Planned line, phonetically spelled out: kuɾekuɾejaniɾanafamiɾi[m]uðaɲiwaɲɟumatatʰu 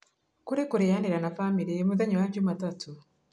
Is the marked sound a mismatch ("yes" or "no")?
no